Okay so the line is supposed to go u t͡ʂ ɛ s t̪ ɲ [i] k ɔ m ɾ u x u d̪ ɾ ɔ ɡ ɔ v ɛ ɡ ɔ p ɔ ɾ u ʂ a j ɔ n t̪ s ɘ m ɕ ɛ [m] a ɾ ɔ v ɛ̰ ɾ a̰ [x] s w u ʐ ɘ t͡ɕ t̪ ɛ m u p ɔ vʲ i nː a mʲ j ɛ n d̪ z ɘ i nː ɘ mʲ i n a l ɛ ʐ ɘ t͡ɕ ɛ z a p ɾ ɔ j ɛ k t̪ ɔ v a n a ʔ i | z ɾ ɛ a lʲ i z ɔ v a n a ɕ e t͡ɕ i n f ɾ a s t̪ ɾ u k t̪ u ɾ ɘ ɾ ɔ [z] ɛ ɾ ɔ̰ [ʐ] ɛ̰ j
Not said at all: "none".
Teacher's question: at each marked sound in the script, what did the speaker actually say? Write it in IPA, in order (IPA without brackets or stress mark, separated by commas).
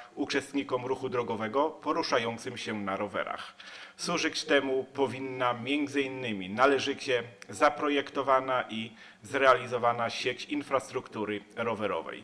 i, n, x, v, v